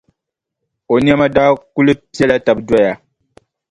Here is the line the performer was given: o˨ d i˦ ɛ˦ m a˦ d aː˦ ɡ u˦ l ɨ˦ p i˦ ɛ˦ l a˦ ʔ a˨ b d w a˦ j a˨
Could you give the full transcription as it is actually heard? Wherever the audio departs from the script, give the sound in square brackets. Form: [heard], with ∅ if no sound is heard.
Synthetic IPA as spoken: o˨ [n] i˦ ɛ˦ m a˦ d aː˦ [k] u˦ l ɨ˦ p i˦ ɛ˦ l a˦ [t] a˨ b d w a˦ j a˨